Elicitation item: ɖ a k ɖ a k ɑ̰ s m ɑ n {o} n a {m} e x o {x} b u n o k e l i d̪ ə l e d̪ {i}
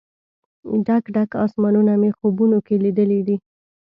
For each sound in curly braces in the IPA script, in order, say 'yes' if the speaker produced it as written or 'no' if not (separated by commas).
no, yes, no, yes